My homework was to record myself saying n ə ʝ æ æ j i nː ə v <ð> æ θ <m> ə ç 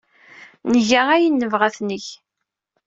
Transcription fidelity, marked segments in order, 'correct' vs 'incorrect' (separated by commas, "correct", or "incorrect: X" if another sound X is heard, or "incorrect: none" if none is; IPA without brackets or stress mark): incorrect: ʁ, incorrect: n